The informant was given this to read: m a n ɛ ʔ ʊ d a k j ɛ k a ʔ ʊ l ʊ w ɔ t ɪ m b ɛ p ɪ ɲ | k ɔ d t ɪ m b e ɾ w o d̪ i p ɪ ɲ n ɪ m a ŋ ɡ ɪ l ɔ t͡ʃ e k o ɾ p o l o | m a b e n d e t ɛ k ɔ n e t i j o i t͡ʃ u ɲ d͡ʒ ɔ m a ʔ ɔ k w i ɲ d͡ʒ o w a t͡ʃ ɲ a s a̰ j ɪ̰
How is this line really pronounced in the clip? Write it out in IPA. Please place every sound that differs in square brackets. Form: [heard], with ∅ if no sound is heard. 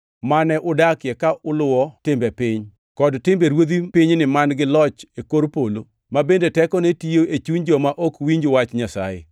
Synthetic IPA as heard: m a n ɛ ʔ ʊ d a k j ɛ k a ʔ ʊ l ʊ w ɔ t ɪ m b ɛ p ɪ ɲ | k ɔ d t ɪ m b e ɾ w o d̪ i p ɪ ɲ n ɪ m a [n] ɡ ɪ l ɔ t͡ʃ e k o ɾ p o l o | m a b e n d e t ɛ k ɔ n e t i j o [e] t͡ʃ u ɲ d͡ʒ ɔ m a ʔ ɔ k w i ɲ d͡ʒ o w a t͡ʃ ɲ a s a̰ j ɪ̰